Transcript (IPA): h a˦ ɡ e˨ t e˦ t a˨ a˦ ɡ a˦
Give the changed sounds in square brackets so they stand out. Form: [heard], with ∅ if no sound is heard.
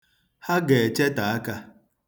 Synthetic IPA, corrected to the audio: h a˦ ɡ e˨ [t͡ʃ] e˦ t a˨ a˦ [k] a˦